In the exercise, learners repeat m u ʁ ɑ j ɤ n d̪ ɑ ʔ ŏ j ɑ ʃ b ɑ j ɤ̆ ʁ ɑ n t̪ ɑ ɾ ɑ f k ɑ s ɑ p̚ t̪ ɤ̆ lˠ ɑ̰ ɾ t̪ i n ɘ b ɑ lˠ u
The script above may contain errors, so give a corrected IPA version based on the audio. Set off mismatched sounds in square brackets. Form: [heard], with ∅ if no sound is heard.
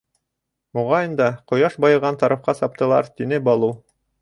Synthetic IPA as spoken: m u ʁ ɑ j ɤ n d̪ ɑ [q] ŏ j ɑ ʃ b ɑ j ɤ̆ ʁ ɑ n t̪ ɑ ɾ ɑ f [q] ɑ s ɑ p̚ t̪ ɤ̆ lˠ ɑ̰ ɾ t̪ i n ɘ b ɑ lˠ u